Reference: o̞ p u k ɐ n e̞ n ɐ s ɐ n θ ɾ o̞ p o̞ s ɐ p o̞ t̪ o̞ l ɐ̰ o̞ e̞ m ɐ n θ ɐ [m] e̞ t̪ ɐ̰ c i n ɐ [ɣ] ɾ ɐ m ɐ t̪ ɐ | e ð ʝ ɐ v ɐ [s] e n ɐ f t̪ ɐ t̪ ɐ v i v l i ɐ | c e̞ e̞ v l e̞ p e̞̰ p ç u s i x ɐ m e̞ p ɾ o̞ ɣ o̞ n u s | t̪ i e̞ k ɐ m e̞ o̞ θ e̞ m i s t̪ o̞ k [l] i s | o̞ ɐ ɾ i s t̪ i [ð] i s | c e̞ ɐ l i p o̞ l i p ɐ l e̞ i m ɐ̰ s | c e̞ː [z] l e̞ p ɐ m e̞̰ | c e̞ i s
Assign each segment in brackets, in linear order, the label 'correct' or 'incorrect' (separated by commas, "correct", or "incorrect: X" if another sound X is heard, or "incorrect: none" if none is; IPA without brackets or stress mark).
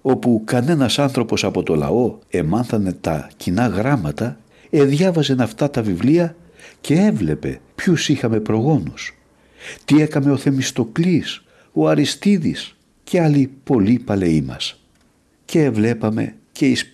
incorrect: n, correct, incorrect: z, correct, correct, incorrect: v